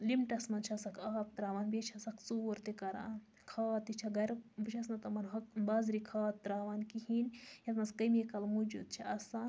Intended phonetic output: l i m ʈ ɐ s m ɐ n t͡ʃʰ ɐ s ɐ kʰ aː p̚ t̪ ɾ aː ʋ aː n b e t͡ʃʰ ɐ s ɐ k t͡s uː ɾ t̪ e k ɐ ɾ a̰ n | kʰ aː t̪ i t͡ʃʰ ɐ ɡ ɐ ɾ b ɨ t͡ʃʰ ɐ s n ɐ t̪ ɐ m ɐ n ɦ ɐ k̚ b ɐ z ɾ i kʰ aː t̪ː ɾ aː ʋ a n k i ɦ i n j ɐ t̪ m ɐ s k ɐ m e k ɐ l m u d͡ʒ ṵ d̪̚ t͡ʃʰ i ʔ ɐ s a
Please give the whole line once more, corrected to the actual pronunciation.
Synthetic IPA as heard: l i m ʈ ɐ s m ɐ n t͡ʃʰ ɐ s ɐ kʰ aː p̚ t̪ ɾ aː ʋ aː n b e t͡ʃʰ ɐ s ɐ k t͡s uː ɾ t̪ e k ɐ ɾ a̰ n | kʰ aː t̪ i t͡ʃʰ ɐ ɡ ɐ ɾ b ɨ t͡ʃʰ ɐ s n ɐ t̪ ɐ m ɐ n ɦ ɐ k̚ b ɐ z ɾ i kʰ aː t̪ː ɾ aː ʋ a n k i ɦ i n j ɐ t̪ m ɐ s k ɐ m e k ɐ l m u d͡ʒ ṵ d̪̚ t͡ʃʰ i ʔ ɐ s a